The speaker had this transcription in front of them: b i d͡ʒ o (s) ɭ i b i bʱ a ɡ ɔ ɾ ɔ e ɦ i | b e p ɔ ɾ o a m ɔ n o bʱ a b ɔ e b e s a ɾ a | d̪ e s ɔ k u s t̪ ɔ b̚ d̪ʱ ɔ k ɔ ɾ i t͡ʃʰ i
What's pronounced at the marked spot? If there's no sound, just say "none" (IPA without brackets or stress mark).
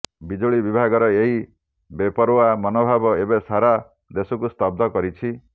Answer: none